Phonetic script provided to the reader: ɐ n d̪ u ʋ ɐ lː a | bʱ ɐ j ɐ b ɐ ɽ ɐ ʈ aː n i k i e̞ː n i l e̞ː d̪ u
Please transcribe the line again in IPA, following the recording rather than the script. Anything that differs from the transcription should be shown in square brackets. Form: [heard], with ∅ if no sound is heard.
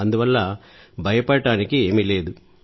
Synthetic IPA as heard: ɐ n d̪ u ʋ ɐ lː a | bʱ ɐ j ɐ [p] ɐ ɽ ɐ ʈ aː n i k i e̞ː [m] i l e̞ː d̪ u